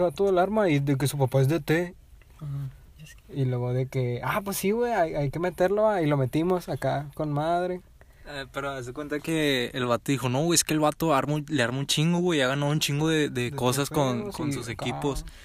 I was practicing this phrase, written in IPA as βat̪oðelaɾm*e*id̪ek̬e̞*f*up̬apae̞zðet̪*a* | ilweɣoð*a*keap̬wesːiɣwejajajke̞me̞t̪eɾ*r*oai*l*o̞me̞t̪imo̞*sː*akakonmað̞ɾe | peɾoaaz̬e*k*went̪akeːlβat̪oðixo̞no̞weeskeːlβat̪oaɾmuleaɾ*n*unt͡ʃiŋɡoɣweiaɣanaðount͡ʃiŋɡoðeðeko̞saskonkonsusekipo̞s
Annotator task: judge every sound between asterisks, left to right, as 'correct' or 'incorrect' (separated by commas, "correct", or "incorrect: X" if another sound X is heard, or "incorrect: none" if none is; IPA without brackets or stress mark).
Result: incorrect: a, incorrect: s, incorrect: e, incorrect: e, incorrect: l, correct, incorrect: s, correct, incorrect: m